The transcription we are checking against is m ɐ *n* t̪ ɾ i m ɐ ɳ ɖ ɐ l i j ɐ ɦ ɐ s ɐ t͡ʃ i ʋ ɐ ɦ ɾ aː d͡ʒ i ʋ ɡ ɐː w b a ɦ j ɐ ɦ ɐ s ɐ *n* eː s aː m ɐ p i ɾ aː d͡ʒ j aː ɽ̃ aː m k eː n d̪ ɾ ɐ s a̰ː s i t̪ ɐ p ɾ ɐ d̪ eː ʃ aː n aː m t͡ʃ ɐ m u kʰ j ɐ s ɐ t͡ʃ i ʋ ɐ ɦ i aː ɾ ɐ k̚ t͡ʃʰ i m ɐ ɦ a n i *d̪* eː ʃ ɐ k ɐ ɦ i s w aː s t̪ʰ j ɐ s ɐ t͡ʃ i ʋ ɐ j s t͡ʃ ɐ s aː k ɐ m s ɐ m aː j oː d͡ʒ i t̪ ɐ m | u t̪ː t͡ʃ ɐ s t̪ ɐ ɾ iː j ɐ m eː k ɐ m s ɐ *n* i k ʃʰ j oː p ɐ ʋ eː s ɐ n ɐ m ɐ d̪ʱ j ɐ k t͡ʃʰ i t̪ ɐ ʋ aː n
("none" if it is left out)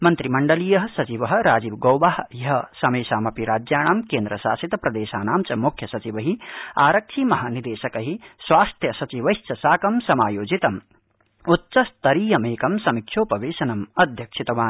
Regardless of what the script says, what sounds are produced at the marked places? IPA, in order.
n, m, d̪, m

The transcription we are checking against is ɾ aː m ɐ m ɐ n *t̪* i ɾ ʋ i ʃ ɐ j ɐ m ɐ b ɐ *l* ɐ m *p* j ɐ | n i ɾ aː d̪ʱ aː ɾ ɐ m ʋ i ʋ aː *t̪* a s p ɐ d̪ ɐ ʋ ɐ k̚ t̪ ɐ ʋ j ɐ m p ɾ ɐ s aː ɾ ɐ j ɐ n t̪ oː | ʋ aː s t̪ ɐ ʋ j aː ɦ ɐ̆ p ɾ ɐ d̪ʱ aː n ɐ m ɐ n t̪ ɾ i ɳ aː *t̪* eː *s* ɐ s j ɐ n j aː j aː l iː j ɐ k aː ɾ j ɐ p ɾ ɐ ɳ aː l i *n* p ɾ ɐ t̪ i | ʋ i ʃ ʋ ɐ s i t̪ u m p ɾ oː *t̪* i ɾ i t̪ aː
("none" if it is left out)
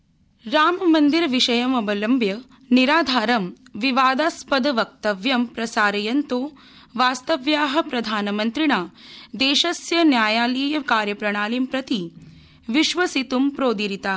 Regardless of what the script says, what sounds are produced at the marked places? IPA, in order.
d̪, l, b, d̪, d̪, ʃ, m, d̪

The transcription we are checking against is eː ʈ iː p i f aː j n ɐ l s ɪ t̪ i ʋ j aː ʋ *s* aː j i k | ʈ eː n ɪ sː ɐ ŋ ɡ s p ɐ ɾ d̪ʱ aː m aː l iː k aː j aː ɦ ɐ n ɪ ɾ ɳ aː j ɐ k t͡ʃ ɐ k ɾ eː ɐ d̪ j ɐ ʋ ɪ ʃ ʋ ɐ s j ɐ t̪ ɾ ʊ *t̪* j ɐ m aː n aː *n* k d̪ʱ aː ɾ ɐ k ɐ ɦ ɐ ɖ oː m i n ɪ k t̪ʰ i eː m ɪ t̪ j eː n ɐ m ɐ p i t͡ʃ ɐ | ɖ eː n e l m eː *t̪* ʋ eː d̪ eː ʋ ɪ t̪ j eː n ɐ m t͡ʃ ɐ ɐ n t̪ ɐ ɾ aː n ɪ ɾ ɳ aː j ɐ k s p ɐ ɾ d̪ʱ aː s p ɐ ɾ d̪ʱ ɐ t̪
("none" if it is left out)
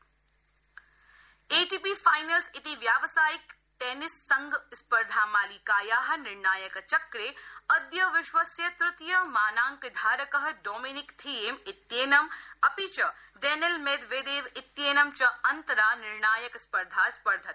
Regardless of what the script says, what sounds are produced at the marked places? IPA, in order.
s, t̪, ŋ, d̪

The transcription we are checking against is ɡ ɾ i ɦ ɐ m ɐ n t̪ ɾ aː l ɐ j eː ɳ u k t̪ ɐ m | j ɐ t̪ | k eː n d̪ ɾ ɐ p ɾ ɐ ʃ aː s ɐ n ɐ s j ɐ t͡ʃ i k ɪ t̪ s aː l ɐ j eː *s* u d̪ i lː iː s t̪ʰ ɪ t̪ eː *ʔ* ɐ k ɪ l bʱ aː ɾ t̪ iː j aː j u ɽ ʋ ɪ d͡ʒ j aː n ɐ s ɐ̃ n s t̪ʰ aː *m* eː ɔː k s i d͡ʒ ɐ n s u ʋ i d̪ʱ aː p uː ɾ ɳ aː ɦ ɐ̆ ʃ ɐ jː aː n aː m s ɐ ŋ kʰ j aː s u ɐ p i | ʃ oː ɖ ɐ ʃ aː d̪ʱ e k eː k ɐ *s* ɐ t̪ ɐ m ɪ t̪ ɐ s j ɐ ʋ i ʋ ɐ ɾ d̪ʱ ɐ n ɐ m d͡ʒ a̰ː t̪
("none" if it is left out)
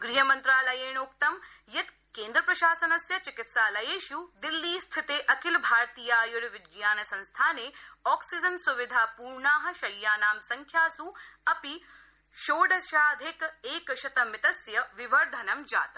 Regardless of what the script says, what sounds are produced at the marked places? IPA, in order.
ʃ, ʔ, n, ʃ

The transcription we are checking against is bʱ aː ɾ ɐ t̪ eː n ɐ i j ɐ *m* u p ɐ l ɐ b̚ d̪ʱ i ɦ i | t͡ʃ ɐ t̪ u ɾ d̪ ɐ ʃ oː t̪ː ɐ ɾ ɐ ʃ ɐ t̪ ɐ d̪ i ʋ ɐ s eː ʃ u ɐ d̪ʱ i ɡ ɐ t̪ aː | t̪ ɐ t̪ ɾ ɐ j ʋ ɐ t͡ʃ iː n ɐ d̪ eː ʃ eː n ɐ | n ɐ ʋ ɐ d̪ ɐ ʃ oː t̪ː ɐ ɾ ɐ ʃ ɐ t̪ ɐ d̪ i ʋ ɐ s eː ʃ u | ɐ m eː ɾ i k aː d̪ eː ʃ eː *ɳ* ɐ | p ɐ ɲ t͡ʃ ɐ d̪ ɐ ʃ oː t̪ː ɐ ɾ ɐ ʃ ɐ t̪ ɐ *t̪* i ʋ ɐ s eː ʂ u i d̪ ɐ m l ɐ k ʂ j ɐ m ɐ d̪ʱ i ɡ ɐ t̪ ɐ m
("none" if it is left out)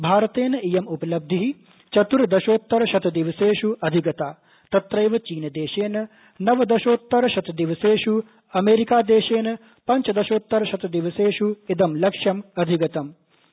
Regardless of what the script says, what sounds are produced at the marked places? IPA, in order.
m, n, d̪

